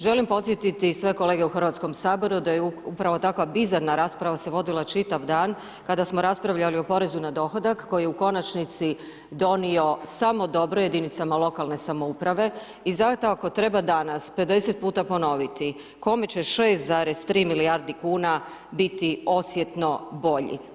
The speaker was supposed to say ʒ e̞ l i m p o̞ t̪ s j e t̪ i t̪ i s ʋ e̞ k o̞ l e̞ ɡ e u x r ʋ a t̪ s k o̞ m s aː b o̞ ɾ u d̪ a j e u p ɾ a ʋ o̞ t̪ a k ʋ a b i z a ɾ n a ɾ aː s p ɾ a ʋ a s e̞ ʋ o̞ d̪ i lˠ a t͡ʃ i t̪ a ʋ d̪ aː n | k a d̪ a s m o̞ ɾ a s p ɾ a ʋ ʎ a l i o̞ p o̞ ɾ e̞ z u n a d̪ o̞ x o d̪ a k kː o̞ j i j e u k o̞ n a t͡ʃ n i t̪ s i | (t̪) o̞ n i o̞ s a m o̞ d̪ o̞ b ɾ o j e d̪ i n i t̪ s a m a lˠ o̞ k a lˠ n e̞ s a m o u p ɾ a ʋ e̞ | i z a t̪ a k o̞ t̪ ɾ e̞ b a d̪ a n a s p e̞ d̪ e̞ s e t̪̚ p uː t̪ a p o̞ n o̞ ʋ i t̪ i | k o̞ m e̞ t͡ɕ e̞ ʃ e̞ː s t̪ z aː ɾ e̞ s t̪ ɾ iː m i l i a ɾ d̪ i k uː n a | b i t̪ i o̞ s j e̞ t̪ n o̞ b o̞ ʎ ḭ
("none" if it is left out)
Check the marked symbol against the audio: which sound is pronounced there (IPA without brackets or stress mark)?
d̪